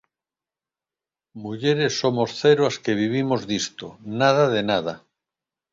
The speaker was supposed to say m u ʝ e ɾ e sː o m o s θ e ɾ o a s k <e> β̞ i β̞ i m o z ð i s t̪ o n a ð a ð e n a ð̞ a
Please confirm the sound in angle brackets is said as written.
yes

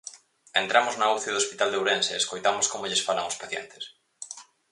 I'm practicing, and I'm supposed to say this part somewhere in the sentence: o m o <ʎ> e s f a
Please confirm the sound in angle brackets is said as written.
yes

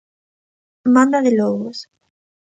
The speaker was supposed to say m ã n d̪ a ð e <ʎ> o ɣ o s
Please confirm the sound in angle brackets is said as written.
no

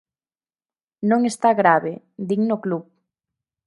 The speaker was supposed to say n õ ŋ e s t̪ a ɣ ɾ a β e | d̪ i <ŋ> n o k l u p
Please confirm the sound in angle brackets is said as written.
yes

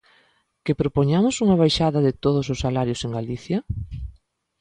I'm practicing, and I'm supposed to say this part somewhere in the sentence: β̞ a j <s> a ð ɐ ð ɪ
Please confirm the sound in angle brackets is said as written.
no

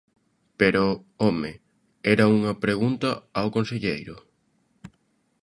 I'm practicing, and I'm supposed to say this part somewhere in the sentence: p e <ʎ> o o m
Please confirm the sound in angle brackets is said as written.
no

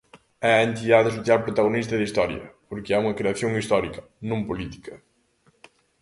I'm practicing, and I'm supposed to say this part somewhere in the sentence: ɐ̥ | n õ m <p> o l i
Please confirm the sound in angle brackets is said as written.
yes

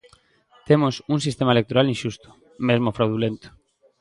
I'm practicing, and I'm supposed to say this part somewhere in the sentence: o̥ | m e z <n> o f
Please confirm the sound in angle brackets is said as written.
no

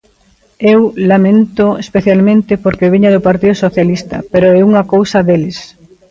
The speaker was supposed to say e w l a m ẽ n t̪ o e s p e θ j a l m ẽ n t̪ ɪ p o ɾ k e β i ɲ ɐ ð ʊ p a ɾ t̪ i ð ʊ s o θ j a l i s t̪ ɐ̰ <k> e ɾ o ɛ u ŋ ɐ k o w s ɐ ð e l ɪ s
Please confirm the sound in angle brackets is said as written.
no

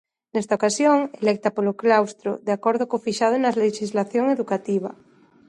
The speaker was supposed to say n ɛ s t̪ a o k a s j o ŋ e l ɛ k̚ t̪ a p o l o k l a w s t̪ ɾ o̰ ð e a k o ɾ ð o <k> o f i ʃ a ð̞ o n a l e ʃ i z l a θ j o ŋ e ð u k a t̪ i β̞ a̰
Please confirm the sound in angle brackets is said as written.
yes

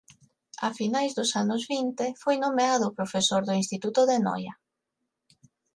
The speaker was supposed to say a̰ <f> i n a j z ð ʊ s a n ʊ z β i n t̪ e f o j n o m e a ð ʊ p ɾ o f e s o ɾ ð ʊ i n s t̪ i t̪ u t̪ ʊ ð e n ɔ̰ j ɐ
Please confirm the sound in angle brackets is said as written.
yes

